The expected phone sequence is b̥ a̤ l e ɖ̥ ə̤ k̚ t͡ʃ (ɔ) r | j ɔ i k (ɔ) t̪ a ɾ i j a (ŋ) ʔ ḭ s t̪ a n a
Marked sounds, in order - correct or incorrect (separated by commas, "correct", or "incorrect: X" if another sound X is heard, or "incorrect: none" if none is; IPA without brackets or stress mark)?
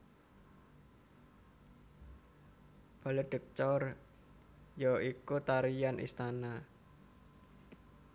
correct, incorrect: u, incorrect: n